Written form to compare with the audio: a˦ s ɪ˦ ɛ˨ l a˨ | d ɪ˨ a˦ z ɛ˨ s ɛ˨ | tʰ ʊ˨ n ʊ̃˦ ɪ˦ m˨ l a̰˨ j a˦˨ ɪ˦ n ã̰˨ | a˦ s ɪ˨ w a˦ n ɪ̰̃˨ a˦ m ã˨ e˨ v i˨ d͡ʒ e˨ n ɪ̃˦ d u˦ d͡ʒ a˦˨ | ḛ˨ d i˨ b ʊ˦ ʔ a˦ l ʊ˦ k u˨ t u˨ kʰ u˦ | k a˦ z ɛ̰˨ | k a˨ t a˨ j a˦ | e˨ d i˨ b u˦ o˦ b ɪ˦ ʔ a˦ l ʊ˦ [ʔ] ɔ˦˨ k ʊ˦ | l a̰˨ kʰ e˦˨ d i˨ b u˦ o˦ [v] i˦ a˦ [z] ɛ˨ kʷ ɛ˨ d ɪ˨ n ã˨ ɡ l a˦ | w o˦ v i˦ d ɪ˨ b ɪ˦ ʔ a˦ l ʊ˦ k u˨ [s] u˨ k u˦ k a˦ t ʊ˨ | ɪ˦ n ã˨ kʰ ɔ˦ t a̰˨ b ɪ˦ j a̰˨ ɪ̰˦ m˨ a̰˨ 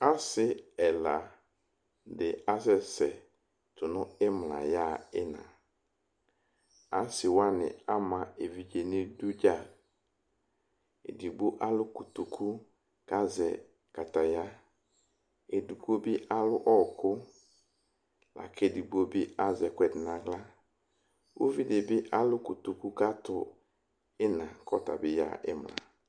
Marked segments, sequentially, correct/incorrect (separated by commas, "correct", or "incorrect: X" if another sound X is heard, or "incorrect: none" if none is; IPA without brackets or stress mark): correct, incorrect: b, correct, incorrect: t